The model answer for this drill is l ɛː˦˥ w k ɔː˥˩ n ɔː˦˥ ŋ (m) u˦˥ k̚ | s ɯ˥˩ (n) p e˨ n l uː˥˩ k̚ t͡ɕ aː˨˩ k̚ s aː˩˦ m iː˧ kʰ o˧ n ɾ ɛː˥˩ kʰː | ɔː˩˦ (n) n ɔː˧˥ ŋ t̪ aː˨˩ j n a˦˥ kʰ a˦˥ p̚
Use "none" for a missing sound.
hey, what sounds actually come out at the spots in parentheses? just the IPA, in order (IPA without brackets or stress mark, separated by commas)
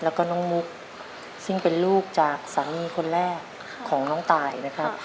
m, ŋ, ŋ